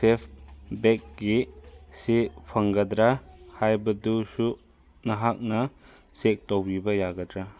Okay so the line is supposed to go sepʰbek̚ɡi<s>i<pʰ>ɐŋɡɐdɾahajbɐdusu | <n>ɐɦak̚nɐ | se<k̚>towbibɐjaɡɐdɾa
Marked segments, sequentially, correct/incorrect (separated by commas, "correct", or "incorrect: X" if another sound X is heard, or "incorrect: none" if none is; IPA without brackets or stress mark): correct, correct, correct, correct